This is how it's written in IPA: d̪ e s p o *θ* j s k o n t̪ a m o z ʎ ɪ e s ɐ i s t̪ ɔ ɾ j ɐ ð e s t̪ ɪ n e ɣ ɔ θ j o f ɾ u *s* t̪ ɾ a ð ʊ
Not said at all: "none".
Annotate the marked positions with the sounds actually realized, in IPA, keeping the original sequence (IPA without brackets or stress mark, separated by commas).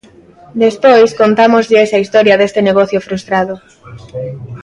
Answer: none, s